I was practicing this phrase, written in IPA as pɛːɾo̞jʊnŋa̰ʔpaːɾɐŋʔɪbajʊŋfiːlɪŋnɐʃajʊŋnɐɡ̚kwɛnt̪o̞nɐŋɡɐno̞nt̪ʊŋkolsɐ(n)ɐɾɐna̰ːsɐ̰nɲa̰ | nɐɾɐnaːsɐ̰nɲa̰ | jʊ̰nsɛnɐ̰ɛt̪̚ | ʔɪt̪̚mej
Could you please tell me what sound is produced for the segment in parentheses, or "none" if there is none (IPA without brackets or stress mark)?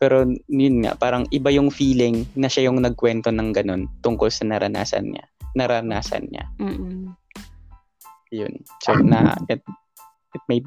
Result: n